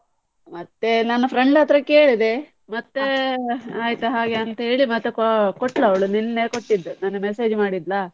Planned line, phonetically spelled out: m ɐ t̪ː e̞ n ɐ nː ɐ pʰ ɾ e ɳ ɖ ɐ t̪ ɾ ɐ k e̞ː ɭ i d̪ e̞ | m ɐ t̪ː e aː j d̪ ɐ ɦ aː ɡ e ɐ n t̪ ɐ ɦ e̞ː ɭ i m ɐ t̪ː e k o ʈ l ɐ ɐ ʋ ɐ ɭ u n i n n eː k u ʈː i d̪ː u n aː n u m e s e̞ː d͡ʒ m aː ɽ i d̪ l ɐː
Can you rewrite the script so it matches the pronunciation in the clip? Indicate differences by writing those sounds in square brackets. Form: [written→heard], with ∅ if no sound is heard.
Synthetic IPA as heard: m ɐ t̪ː e̞ n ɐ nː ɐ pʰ ɾ e ɳ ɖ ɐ t̪ ɾ ɐ k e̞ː ɭ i d̪ e̞ | m ɐ t̪ː e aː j [d̪→t̪] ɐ ɦ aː ɡ e ɐ n t̪ ɐ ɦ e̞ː ɭ i m ɐ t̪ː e k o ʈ l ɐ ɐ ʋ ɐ ɭ u n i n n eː k [u→o] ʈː i d̪ː u n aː n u m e s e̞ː d͡ʒ m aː ɽ i d̪ l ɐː